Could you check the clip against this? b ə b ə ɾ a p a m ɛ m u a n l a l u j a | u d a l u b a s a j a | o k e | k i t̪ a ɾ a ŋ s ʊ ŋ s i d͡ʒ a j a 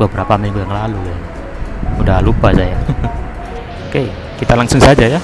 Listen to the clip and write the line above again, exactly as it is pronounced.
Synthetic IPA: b ə b ə ɾ a p a m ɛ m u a ŋ l a l u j a | u d a l u p a s a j a | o k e | k i t̪ a l a ŋ s ʊ ŋ s a d͡ʒ a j a